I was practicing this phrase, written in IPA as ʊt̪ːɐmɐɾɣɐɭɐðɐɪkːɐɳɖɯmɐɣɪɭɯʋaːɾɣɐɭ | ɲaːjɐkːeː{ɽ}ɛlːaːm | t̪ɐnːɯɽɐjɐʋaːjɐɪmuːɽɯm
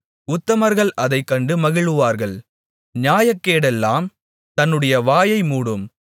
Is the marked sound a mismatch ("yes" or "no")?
no